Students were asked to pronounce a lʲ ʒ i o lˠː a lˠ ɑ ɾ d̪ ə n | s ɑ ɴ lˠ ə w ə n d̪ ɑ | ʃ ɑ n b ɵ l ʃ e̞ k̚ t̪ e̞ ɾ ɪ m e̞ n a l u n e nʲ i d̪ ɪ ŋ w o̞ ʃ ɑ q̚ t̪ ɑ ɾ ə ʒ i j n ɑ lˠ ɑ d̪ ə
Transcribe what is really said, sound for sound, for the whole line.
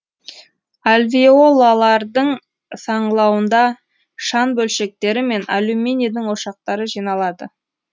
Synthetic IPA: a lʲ v i o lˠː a lˠ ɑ ɾ d̪ ə ɴ | s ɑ ɴ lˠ ɑ w ə n d̪ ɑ | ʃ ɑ n b ɵ l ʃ e̞ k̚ t̪ e̞ ɾ ɪ m e̞ n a l u m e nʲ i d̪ ɪ ŋ w o̞ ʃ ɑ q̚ t̪ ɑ ɾ ə ʒ i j n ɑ lˠ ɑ d̪ ə

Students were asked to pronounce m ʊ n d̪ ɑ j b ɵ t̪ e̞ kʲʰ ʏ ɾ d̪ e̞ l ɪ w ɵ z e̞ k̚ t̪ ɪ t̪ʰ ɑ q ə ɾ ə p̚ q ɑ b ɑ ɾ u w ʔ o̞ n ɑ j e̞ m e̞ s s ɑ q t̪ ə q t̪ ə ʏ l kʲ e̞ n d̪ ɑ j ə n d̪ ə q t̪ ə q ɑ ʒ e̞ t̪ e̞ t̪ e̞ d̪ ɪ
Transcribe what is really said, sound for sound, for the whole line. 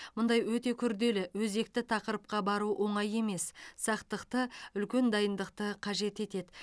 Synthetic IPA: m ʊ n d̪ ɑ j w ɵ t̪ e̞ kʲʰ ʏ ɾ d̪ e̞ l ɪ w ɵ z e̞ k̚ t̪ ɪ t̪ʰ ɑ q ə ɾ ə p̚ q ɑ b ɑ ɾ u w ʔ o̞ ɴ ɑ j e̞ m e̞ s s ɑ q t̪ ə q t̪ ə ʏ l kʲ e̞ n d̪ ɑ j ə n d̪ ə q t̪ ə qʰ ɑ ʒ e̞ t̪ e̞ t̪ e̞ d̪ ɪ

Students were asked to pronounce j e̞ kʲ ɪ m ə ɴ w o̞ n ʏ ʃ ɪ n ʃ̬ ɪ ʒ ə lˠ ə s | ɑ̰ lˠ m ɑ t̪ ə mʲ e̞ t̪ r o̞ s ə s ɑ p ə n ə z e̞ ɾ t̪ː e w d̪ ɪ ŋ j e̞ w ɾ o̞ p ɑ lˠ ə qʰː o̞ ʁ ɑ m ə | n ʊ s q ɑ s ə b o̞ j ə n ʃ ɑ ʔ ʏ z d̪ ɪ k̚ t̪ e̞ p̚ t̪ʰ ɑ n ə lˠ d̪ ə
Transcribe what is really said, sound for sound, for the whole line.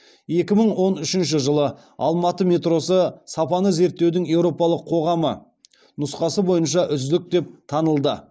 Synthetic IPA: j e̞ kʲ ɪ m ə ɴ w o̞ n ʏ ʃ ɪ n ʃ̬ ɪ ʒ ə lˠ ə | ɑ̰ lˠ m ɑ t̪ ə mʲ e̞ t̪ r o̞ s ə s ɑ p ɑ n ə z e̞ ɾ t̪ː e w d̪ ɪ ŋ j e̞ w ɾ o̞ p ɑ lˠ ə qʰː o̞ ʁ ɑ m ə | n ʊ s q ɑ s ə b o̞ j ə n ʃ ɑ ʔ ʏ z d̪ ɪ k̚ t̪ e̞ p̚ t̪ʰ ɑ n ə lˠ d̪ ə

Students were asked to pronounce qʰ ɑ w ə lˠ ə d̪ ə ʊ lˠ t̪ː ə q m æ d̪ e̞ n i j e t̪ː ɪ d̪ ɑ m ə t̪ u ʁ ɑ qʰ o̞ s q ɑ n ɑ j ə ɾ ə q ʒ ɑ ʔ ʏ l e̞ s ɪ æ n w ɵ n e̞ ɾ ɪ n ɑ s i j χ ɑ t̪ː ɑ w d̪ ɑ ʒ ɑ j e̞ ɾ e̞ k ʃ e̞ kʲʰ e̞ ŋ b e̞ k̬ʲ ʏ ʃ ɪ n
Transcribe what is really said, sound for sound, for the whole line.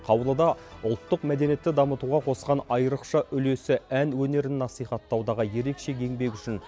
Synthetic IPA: qʰ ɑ w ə lˠ ə d̪ ɑ ʊ lˠ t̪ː ə q m æ d̪ e̞ n i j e t̪ː ɪ d̪ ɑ m ə t̪ u ʁ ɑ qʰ o̞ s q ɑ n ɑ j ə ɾ ə q ʃ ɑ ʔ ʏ l e̞ s ɪ æ n w ɵ n e̞ ɾ ɪ nː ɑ s i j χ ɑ t̪ː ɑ w d̪ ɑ ʁ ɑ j e̞ ɾ e̞ k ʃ e̞ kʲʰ e̞ ŋ b e̞ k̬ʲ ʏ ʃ ɪ n

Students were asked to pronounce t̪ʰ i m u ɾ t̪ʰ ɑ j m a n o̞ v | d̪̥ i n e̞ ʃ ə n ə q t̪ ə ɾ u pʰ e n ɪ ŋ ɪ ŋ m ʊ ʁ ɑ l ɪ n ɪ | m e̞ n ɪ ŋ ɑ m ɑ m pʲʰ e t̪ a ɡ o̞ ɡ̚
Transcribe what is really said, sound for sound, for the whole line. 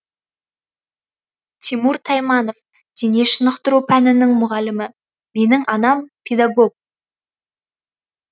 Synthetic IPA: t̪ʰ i m u ɾ t̪ʰ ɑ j m ɑ n o̞ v | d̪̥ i n e̞ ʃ ə n ə q t̪ ə ɾ u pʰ æ n ɪ n ɪ ŋ m ʊ ʁ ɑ l ɪ m ɪ | m e̞ n ɪ ŋ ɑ n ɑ m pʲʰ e d̪ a ɡ o̞ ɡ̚

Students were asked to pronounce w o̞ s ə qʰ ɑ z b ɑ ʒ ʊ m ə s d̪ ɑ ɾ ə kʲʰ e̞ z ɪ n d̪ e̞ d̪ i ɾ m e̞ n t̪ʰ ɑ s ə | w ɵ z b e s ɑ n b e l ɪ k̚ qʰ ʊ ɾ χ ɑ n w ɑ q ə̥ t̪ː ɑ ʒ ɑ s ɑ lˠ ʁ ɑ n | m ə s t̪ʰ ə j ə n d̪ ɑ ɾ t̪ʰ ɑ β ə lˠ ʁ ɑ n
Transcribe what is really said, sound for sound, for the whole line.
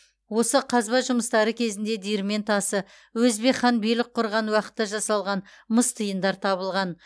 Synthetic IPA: w o̞ s ə qʰ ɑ z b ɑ ʒ ʊ m ə s t̪ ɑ ɾ ə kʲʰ e̞ z ɪ n d̪ e̞ d̪ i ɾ m e̞ n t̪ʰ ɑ s ə | w ɵ z b e χ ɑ n b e l ɪ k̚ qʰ ʊ ɾ ʁ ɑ n w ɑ q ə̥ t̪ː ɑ ʒ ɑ s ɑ lˠ ʁ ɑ n | m ə s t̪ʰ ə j ə n d̪ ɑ ɾ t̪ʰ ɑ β ə lˠ ʁ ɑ n

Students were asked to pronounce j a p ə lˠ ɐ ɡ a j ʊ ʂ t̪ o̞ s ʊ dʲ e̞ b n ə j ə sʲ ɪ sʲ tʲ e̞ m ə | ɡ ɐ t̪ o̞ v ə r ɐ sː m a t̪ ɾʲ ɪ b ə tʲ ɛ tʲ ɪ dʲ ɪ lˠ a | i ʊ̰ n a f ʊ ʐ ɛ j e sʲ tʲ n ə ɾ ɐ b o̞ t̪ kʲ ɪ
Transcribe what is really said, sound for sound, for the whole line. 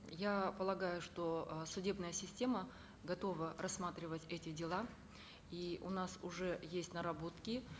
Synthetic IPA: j a p ə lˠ ɐ ɡ a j ʊ ʂ t̪ o̞ s ʊ dʲ e̞ b n ə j ə sʲ ɪ sʲ tʲ e̞ m ə | ɡ ɐ t̪ o̞ v ə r ɐ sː m a t̪ ɾʲ ɪ v ə tʲ ɛ tʲ ɪ dʲ ɪ lˠ a | i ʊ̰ n a s ʊ ʐ ɛ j e sʲ tʲ n ə ɾ ɐ b o̞ t̪ kʲ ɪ

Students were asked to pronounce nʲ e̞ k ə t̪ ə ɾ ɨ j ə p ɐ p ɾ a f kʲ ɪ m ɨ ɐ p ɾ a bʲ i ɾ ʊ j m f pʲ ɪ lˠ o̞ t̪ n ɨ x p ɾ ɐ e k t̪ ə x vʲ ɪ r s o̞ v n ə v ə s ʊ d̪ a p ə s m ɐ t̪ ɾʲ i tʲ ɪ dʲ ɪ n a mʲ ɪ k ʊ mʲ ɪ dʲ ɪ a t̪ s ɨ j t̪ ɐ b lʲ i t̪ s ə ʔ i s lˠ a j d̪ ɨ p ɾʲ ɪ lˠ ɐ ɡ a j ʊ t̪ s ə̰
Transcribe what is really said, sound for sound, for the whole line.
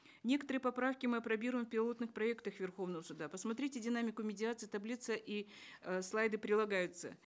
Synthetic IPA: nʲ e̞ k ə t̪ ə ɾ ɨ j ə p ɐ p ɾ a f kʲ ɪ m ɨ ɐ p ɾ ɐ bʲ i ɾ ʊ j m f pʲ ɪ lˠ o̞ t̪ n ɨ x p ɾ ɐ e k t̪ ə x vʲ ɪ r x o̞ v n ə v ə s ʊ d̪ a p ə s m ɐ t̪ ɾʲ i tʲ ɪ dʲ ɪ n a mʲ ɪ k ʊ mʲ ɪ dʲ ɪ a t̪ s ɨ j t̪ ɐ b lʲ i t̪ s ə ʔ i s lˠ a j d̪ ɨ p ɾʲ ɪ lˠ ɐ ɡ a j ʊ t̪ s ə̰

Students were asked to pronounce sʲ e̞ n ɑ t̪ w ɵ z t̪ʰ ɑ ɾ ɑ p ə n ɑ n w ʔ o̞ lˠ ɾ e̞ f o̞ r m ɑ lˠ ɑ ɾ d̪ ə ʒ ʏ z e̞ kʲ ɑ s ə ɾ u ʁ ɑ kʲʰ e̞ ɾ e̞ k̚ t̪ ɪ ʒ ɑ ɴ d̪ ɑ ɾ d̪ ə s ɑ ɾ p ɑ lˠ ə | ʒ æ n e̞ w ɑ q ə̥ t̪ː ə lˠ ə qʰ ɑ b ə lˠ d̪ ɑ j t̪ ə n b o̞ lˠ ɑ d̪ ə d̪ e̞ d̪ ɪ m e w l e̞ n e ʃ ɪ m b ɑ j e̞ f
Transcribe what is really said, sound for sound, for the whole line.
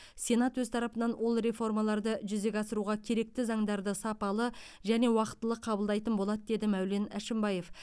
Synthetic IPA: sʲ e̞ n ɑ t̪ w ɵ z t̪ʰ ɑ ɾ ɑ p ə n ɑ n w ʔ o̞ lˠ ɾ e̞ f o̞ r m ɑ lˠ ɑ ɾ d̪ ə ʒ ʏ z e̞ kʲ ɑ s ə ɾ u ʁ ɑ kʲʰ e̞ ɾ e̞ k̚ t̪ ɪ z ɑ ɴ d̪ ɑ ɾ d̪ ə s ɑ p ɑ lˠ ə | ʒ æ n e̞ w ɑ q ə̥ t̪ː ə lˠ ə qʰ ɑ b ə lˠ d̪ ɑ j t̪ ə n b o̞ lˠ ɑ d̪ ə d̪ e̞ d̪ ɪ m æ w l e̞ n æ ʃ ɪ m b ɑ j e̞ f

